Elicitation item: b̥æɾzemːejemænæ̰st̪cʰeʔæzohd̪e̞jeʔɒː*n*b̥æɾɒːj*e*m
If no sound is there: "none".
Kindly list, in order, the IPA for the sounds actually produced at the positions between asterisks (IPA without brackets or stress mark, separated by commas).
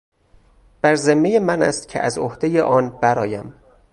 n, æ